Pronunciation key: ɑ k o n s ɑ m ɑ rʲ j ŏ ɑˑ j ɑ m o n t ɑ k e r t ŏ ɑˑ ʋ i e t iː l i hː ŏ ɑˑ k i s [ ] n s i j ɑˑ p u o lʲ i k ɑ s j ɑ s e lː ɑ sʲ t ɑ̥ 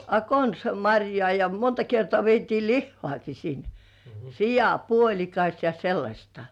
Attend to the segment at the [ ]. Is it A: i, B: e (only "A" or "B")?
A